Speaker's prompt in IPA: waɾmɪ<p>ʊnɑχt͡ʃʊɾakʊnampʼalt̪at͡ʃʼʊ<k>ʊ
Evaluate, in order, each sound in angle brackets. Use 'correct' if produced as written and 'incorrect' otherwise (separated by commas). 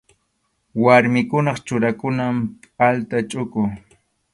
incorrect, correct